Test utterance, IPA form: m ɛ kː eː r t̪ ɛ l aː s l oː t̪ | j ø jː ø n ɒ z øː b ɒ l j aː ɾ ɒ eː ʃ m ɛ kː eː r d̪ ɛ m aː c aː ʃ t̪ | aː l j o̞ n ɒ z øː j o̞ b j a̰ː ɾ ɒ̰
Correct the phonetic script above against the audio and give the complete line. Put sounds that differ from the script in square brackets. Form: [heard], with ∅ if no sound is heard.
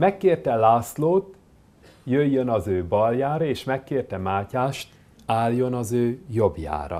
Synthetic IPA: m ɛ kː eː r t̪ ɛ l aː s l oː t̪ | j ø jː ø n ɒ z øː b ɒ l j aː ɾ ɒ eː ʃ m ɛ kː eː r [t̪] ɛ m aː c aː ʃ t̪ | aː l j o̞ n ɒ z øː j o̞ b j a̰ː ɾ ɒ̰